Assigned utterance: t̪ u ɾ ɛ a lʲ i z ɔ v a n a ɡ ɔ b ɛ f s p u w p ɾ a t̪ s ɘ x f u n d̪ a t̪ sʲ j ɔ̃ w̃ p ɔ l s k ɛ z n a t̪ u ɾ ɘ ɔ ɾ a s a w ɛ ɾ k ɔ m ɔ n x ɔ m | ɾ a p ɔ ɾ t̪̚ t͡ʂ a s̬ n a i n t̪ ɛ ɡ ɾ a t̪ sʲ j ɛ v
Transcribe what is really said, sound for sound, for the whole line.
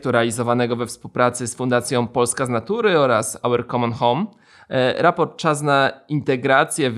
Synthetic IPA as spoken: t̪ u ɾ ɛ a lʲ i z ɔ v a n ɛ ɡ ɔ v ɛ f s p u w p ɾ a t̪ s ɘ s f u n d̪ a t̪ sʲ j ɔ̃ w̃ p ɔ l s k a z n a t̪ u ɾ ɘ ɔ ɾ a s a w ɛ ɾ k ɔ m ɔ n x ɔ m | ɾ a p ɔ ɾ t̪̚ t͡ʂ a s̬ n a i n t̪ ɛ ɡ ɾ a t̪ sʲ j ɛ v